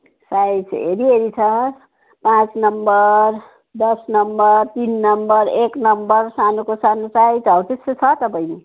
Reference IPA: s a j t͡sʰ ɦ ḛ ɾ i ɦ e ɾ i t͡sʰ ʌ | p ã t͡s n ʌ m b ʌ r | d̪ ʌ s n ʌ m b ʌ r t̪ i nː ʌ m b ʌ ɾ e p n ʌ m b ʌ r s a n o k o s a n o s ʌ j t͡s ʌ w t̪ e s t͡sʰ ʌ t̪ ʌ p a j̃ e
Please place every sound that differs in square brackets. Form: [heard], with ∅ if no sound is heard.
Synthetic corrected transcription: s a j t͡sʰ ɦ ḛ ɾ i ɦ e ɾ i t͡sʰ ʌ | p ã t͡s n ʌ m b ʌ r | d̪ ʌ s n ʌ m b ʌ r t̪ i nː ʌ m b ʌ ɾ e [k] n ʌ m b ʌ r s a n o k o s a n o s [a] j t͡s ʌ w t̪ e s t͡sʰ ʌ t̪ ʌ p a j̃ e